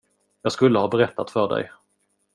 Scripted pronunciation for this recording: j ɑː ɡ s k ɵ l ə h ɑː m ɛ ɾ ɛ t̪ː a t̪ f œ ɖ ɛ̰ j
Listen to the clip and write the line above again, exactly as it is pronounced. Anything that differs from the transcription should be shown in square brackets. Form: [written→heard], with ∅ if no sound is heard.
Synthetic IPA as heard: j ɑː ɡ s k ɵ [l→lː] ə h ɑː [m→b] ɛ ɾ ɛ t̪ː a t̪ f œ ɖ ɛ̰ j